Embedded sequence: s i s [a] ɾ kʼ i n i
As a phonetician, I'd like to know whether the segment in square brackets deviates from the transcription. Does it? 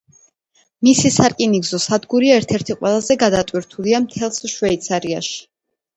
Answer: no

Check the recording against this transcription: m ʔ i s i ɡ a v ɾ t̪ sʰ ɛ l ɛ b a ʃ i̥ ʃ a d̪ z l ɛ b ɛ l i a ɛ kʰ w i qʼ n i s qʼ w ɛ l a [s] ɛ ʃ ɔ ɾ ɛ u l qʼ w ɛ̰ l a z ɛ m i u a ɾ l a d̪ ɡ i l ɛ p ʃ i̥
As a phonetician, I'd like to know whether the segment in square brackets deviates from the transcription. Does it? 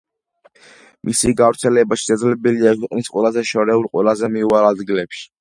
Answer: yes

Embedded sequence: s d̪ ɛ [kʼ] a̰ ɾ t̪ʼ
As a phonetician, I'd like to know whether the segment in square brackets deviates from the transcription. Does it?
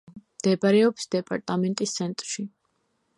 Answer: yes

